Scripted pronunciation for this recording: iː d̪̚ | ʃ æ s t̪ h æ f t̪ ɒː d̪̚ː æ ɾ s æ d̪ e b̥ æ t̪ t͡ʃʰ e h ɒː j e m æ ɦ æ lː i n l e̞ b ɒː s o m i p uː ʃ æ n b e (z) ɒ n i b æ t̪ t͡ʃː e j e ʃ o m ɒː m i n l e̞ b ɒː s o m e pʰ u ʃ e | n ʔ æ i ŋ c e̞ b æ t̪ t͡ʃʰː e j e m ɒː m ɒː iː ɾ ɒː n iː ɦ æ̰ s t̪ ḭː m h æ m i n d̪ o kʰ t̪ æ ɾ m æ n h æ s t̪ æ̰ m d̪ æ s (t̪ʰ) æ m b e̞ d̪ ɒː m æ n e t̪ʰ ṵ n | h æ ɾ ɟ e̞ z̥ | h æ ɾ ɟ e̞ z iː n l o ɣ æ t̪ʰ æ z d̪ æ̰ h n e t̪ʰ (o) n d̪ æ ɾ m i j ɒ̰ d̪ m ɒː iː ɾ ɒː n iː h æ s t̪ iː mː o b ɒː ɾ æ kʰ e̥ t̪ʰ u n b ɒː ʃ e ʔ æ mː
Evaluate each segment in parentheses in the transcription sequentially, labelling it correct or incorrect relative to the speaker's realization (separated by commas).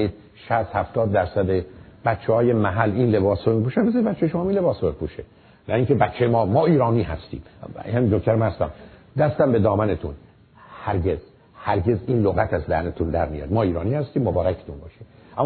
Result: correct, incorrect, incorrect